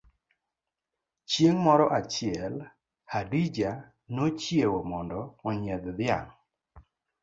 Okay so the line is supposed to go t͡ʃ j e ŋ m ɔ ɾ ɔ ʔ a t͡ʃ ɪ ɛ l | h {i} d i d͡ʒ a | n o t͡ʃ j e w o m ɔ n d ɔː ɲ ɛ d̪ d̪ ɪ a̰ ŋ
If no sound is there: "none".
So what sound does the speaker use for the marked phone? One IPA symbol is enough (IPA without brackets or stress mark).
a